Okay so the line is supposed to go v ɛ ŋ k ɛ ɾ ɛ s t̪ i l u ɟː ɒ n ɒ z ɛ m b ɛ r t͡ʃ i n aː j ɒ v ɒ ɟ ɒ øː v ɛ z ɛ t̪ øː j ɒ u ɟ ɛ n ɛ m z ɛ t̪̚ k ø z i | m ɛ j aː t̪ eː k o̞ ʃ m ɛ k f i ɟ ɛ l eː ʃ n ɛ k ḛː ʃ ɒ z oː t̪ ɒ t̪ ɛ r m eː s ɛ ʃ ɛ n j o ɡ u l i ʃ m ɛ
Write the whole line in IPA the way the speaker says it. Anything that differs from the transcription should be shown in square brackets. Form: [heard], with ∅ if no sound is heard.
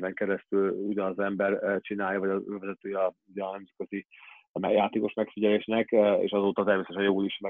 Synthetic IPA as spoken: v ɛ ŋ k ɛ ɾ ɛ s t̪ [y] l u [ɟ] ɒ n ɒ z ɛ m b ɛ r t͡ʃ i n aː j ɒ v ɒ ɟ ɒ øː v ɛ z ɛ t̪ øː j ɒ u ɟ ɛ n ɛ m z ɛ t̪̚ k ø z i | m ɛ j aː t̪ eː k o̞ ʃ m ɛ k f i ɟ ɛ l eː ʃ n ɛ k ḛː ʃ ɒ z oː t̪ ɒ t̪ ɛ r m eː s ɛ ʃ ɛ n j o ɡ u l i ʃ m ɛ